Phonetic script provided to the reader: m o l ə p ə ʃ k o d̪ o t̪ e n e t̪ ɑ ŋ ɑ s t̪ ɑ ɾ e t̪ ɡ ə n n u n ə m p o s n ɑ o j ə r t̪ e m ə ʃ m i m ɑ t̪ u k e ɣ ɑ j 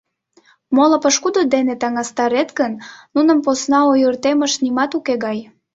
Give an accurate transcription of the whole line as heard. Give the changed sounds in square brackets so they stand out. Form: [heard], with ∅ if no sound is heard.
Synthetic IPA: m o l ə p ə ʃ k [u] d̪ o [d̪] e n e t̪ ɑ ŋ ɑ s t̪ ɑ ɾ e t̪ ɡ ə n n u n ə m p o s n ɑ o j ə r t̪ e m ə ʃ [n] i m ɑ t̪ u k e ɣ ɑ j